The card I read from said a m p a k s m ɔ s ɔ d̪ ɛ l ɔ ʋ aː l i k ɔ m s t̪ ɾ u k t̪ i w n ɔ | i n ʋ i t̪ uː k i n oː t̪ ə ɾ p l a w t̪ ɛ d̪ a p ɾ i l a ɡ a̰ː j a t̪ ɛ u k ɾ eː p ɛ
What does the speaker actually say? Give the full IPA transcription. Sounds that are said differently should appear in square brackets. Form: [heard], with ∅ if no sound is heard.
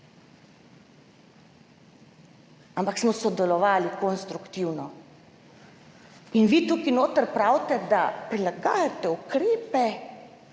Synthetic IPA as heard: a m p a k s m ɔ s ɔ d̪ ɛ l ɔ ʋ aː l i k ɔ [n] s t̪ ɾ u k t̪ i w n ɔ | i n ʋ i t̪ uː k i n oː t̪ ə ɾ p [ɾ] a w t̪ ɛ d̪ a p ɾ i l a ɡ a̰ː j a t̪ ɛ u k ɾ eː p ɛ

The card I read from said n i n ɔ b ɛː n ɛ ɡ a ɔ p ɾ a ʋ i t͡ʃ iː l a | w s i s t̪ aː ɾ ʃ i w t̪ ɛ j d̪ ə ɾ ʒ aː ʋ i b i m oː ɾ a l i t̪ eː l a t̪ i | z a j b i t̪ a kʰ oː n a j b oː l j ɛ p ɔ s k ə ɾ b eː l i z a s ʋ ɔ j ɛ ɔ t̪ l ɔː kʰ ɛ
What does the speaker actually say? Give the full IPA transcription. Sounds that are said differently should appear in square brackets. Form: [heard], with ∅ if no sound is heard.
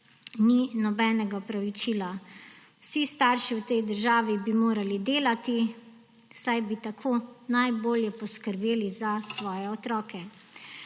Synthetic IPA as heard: n i n ɔ b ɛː n ɛ ɡ a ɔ p ɾ a ʋ i t͡ʃ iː l a | w s i s t̪ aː ɾ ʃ i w t̪ ɛ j d̪ ə ɾ ʒ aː ʋ i b i m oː ɾ a l i [d̪] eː l a t̪ i | [s] a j b i t̪ a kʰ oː n a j b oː l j ɛ p ɔ s k ə ɾ b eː l i z a s ʋ [ɔː] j ɛ ɔ t̪ [ɾ] ɔː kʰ ɛ

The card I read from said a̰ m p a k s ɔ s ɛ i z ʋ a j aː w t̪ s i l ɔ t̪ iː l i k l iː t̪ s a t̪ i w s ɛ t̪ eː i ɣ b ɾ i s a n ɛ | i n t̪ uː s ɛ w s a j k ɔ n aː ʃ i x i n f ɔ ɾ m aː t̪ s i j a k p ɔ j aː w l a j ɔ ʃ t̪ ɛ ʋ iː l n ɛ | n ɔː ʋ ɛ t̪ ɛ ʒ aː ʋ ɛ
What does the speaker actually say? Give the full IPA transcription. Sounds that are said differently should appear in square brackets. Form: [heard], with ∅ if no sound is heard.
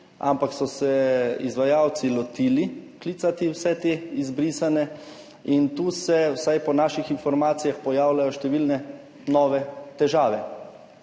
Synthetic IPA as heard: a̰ m p a k s ɔ s ɛ i z ʋ a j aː w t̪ s i l ɔ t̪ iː l i k l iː t̪ s a t̪ i w s ɛ t̪ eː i [z] b ɾ i s a n ɛ | i n t̪ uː s ɛ w s a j [p] ɔ n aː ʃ i x i n f ɔ ɾ m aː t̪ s i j a [x] p ɔ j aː w l a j ɔ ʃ t̪ ɛ ʋ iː l n ɛ | n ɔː ʋ ɛ t̪ ɛ ʒ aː ʋ ɛ

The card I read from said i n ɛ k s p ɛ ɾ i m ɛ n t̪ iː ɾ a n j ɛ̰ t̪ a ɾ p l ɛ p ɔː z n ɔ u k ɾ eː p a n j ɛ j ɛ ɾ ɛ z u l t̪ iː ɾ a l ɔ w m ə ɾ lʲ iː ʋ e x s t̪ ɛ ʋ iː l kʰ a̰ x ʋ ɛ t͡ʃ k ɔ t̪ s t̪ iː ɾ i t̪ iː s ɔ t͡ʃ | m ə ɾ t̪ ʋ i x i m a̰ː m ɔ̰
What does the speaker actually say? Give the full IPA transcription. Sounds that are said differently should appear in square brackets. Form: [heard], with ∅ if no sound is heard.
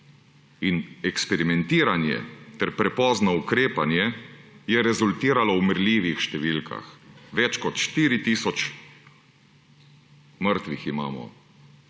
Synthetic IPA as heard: i n ɛ k s p ɛ ɾ i m ɛ n t̪ iː ɾ a n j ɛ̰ t̪ [ɛ] ɾ p [ɾ] ɛ p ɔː z n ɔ u k ɾ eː p a n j ɛ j ɛ ɾ ɛ z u l t̪ iː ɾ a l ɔ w m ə ɾ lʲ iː ʋ [i] x [ʃ] t̪ ɛ ʋ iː l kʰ a̰ x ʋ ɛ t͡ʃ k ɔ t̪ [ʃ] t̪ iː ɾ i t̪ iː s ɔ t͡ʃ | m ə ɾ t̪ ʋ i x i m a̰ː m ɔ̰

